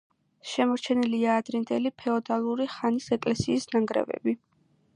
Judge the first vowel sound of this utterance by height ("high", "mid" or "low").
mid